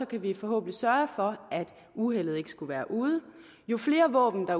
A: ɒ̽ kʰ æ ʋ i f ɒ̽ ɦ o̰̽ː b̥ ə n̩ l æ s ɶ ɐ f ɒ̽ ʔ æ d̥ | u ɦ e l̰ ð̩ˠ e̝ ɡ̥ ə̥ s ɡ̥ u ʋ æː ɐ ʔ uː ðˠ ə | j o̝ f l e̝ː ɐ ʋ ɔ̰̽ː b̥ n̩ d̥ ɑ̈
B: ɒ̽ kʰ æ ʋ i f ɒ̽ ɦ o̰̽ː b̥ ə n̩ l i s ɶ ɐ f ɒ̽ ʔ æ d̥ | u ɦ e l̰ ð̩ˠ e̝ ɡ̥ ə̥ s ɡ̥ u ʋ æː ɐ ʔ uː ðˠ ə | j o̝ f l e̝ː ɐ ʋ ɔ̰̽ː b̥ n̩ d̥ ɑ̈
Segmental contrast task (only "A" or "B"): B